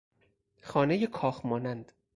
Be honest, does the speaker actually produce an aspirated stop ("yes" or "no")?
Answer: yes